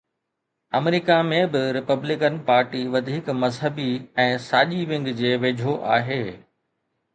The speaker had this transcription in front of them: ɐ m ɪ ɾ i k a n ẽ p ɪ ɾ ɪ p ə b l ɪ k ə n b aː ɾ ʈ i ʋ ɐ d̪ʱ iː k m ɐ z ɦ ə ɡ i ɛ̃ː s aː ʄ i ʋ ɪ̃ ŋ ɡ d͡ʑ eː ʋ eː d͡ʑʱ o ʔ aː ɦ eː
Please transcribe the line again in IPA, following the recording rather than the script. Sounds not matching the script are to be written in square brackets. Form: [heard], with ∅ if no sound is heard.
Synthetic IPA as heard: ɐ m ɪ ɾ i k a [m] ẽ [b] ɪ ɾ ɪ p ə b l ɪ k ə n [p] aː ɾ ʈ i ʋ ɐ d̪ʱ iː k m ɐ z ɦ ə [b] i ɛ̃ː s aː ʄ i ʋ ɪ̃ ŋ ɡ d͡ʑ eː ʋ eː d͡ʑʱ o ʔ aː ɦ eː

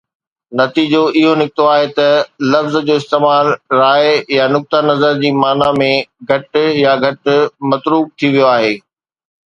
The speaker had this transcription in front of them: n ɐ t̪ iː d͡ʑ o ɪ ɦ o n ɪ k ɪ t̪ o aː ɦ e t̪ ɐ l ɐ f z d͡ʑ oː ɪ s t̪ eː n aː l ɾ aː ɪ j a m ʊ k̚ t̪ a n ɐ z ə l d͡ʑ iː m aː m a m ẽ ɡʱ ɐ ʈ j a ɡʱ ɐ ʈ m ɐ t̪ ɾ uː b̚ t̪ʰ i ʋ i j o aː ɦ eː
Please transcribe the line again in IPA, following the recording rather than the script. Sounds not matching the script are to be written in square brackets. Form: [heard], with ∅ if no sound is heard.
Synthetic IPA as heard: n ɐ t̪ iː d͡ʑ o ɪ ɦ o n ɪ k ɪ t̪ o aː ɦ e t̪ ɐ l ɐ f z d͡ʑ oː ɪ s t̪ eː [m] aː l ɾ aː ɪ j a [n] ʊ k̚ t̪ a n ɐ z ə [ɾ] d͡ʑ iː m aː [n] a m ẽ ɡʱ ɐ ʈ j a ɡʱ ɐ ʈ m ɐ t̪ ɾ uː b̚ t̪ʰ i ʋ i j o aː ɦ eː

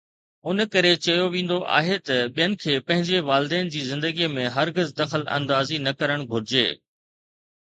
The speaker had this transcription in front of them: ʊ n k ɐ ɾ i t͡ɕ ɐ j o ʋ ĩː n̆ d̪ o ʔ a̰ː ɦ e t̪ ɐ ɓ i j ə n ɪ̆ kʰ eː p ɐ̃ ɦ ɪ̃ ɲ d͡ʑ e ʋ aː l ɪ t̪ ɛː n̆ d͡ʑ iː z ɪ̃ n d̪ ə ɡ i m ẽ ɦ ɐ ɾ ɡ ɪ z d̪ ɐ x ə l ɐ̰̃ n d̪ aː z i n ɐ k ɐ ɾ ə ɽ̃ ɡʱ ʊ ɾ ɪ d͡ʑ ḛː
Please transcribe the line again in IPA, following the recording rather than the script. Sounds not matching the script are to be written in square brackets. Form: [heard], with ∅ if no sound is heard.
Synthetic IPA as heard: ʊ n k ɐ ɾ [e] t͡ɕ ɐ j o ʋ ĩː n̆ d̪ o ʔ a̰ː ɦ e t̪ ɐ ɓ i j ə n ɪ̆ kʰ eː p ɐ̃ ɦ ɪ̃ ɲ d͡ʑ e ʋ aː l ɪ [d̪] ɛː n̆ d͡ʑ iː z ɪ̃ n d̪ ə ɡ i m ẽ ɦ ɐ ɾ ɡ ɪ z d̪ ɐ x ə l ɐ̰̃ n d̪ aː z i n ɐ k ɐ ɾ ə ɽ̃ ɡʱ ʊ ɾ ɪ d͡ʑ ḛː

